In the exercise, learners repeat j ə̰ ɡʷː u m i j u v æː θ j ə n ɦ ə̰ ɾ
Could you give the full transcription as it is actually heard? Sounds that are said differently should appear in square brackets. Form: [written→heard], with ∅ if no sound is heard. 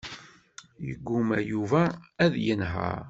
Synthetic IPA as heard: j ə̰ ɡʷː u m [i→æ] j u v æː [θ→ð] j ə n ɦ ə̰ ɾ